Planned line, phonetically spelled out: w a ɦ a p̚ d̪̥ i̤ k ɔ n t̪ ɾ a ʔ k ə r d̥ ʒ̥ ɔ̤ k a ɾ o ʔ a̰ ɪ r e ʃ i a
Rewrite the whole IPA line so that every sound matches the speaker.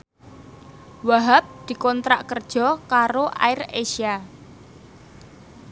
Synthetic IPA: w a ɦ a p̚ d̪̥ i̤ k ɔ n t̪ ɾ a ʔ k ə r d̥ ʒ̥ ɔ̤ k a ɾ o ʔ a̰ ɪ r e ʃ i a